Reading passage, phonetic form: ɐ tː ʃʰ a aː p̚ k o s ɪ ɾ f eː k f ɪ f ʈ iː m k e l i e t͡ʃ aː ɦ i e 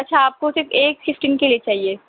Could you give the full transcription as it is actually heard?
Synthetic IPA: ɐ tː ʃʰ a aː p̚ k o s ɪ ɾ f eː k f ɪ f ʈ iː n k e l i e t͡ʃ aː ɦ i e